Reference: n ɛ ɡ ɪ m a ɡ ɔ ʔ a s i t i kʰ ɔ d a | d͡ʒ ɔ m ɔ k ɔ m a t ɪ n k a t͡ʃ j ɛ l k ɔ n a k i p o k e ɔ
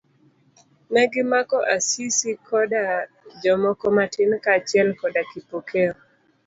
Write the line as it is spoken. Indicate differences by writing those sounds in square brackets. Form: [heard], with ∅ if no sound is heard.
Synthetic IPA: n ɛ ɡ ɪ m a [k] ɔ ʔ a s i [s] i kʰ ɔ d a | d͡ʒ ɔ m ɔ k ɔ m a t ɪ n k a t͡ʃ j ɛ l k ɔ [d] a k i p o k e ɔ